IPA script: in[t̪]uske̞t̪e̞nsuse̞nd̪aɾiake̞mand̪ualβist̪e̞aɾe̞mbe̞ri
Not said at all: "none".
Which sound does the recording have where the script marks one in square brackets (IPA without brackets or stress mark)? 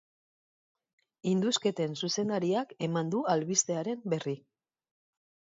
d̪